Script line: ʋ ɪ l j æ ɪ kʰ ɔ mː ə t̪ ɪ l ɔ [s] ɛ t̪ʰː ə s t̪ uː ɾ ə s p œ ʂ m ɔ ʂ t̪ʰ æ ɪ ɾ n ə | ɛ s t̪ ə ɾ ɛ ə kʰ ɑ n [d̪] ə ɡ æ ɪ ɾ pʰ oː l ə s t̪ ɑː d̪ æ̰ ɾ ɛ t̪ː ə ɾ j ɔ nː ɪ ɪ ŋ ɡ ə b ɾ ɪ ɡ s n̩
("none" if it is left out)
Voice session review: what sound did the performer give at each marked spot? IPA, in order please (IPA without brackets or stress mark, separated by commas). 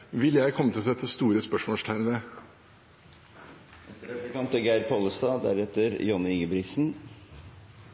s, t̪